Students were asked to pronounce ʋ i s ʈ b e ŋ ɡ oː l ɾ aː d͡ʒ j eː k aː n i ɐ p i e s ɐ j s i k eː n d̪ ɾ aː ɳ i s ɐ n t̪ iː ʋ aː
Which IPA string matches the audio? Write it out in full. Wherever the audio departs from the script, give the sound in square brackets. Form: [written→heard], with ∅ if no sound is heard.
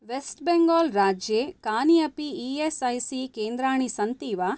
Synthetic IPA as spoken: ʋ [i→e] s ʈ b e ŋ ɡ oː l ɾ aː d͡ʒ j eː k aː n i ɐ p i e s ɐ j s i k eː n d̪ ɾ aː ɳ i s ɐ n t̪ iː ʋ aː